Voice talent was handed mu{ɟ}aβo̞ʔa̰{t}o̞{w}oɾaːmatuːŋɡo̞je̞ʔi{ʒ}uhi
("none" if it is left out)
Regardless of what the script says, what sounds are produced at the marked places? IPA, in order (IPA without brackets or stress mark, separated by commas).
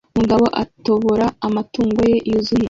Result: ɡ, t, β, z